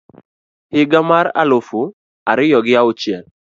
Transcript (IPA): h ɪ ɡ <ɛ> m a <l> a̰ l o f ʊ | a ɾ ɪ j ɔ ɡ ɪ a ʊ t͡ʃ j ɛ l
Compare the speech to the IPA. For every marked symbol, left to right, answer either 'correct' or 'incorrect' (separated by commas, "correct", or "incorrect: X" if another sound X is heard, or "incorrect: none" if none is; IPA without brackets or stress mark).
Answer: incorrect: a, incorrect: ɾ